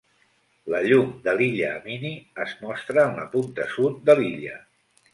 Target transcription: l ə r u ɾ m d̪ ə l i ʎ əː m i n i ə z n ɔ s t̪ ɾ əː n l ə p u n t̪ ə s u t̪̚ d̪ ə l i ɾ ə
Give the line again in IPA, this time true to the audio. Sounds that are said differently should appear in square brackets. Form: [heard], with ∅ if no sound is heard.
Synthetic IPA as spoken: l ə [ʎ] u [∅] m d̪ ə l i ʎ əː m i n i ə z [m] ɔ s t̪ ɾ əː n l ə p u n t̪ ə s u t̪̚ d̪ ə l i [ʎ] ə